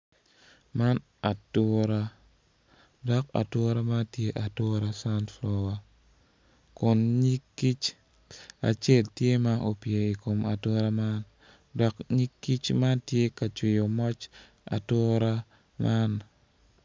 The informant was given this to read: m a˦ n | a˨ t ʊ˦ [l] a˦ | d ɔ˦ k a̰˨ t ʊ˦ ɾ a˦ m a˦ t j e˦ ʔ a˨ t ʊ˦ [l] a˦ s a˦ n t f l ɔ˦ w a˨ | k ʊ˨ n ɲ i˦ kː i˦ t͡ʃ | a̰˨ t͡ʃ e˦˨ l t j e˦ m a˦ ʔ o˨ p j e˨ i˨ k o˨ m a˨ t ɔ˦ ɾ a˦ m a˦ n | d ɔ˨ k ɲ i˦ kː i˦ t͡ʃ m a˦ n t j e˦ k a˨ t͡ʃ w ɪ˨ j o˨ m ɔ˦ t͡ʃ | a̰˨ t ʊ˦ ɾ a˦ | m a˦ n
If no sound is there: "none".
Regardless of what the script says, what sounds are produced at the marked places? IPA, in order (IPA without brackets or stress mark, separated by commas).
ɾ, ɾ